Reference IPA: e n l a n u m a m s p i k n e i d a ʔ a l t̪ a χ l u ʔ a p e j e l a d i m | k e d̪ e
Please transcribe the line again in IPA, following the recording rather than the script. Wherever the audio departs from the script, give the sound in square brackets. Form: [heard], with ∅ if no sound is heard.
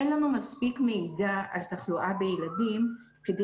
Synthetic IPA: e n l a n u m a [∅] s p i k [m] e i d a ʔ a l t̪ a χ l u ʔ a [b] e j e l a d i m | k e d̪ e

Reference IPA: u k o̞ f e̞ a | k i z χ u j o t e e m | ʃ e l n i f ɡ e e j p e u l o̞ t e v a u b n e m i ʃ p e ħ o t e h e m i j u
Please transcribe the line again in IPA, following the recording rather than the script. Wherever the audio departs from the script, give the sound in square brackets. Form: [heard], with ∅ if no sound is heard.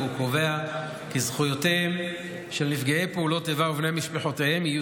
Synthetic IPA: u k o̞ [v] e̞ a | k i z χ u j o t e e m | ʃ e l n i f ɡ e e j p e u l o̞ t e v a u [v] n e m i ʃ p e ħ o t e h e m i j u

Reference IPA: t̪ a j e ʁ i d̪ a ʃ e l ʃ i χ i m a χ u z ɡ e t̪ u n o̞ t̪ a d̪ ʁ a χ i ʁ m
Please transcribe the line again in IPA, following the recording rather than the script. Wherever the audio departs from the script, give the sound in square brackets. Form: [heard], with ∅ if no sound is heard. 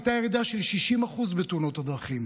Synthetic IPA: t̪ a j e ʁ i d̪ a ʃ e l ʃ i [ʃ] i m a χ u z [b] e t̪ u n o̞ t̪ a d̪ ʁ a χ i [∅] m

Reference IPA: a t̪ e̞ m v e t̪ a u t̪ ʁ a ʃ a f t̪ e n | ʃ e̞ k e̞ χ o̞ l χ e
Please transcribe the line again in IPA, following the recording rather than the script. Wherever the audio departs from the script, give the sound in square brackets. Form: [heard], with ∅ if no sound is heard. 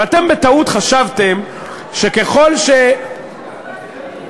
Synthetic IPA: a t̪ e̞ m [b] e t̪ a u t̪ [χ] a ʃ a [v] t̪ e [m] | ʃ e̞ k e̞ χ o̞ l [ʃ] e

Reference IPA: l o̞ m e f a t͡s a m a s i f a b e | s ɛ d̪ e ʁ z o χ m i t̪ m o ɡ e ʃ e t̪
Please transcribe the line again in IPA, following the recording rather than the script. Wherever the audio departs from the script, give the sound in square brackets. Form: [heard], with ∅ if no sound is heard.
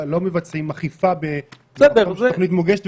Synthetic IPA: l o̞ m e [v] a t͡s [i] m a [χ] i f a b e | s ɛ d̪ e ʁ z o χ [n] i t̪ m o ɡ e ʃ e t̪

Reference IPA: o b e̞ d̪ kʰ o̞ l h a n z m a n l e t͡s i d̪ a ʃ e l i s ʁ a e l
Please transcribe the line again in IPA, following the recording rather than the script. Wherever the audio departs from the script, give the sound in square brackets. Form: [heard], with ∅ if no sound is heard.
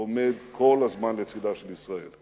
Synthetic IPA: o [m] e̞ d̪ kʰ o̞ l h a [∅] z m a n l e t͡s i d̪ a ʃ e l i s ʁ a e l

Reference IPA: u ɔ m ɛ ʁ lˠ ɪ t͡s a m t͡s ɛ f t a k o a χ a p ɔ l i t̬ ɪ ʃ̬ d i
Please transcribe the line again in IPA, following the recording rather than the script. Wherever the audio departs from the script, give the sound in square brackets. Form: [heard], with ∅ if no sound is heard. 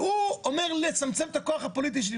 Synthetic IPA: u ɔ m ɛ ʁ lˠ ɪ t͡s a m t͡s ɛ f t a k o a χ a p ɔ l i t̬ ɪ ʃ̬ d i

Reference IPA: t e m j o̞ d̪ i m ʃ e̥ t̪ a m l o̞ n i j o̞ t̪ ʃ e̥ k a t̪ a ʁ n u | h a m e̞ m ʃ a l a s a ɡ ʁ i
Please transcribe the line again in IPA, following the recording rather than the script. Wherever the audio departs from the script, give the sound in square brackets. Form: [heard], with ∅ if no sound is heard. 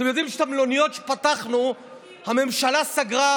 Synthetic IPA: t e m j o̞ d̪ i m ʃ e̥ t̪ a m l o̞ n i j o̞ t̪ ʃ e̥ [p] a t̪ a [χ] n u | h a m e̞ m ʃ a l a s a ɡ ʁ [a]

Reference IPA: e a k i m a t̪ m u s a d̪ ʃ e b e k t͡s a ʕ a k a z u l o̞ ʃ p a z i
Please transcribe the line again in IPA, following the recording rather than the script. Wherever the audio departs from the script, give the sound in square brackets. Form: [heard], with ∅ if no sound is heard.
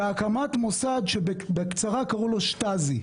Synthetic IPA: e a k [a] m a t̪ m [o] s a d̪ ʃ e b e k t͡s a [ʁ] a k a [ʁ] u l o̞ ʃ [t] a z i

